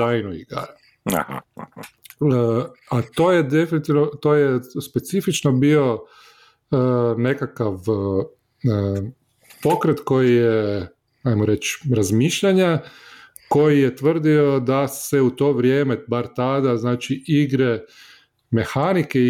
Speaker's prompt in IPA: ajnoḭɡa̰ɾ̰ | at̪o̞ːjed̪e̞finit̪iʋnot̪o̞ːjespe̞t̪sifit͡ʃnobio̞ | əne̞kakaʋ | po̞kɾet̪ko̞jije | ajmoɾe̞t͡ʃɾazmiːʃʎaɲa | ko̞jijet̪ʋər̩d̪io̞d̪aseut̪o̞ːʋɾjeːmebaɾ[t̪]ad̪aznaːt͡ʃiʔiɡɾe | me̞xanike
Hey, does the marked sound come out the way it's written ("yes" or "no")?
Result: yes